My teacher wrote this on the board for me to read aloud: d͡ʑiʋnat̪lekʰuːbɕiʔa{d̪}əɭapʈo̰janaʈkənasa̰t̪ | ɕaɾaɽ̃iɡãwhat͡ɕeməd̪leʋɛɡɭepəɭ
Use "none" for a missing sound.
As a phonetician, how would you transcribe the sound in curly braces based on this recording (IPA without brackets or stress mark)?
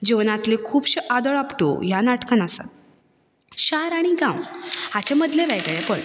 d̪